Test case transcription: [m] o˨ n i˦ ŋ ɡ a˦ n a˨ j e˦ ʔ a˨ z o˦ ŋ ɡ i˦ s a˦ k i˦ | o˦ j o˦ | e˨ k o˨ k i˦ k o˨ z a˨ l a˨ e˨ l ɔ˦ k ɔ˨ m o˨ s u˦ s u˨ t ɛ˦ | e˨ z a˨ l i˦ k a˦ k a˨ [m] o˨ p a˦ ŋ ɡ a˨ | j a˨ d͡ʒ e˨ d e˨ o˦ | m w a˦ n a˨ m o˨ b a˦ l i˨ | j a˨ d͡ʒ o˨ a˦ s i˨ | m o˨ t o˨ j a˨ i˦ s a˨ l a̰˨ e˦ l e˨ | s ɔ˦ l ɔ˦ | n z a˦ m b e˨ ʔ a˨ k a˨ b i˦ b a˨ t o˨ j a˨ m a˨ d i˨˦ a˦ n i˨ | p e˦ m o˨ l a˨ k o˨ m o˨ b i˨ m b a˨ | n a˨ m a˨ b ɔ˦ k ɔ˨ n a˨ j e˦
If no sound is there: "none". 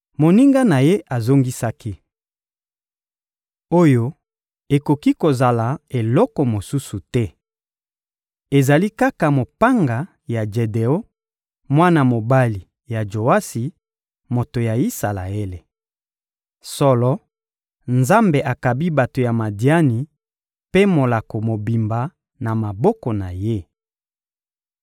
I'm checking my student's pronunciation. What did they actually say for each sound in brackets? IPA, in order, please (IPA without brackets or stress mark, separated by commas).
m, m